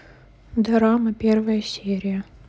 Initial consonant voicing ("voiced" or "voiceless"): voiced